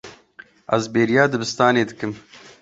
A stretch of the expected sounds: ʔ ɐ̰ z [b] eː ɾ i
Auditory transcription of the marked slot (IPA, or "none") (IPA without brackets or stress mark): b